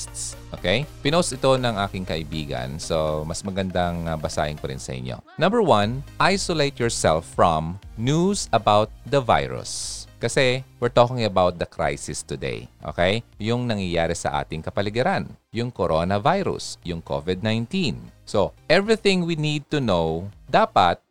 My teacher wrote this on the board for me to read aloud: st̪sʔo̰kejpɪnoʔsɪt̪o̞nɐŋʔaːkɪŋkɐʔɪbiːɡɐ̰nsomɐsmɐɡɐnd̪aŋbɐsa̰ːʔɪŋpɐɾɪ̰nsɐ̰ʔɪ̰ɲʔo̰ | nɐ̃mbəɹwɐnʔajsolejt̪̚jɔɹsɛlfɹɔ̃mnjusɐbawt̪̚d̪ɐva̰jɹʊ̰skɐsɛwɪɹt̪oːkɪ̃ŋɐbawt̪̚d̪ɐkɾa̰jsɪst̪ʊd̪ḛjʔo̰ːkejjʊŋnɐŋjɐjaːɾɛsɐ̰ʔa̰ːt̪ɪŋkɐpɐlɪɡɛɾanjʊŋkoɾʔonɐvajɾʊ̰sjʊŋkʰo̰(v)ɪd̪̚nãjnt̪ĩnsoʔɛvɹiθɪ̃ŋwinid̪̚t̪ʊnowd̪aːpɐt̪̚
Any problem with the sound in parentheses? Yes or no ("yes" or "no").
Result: no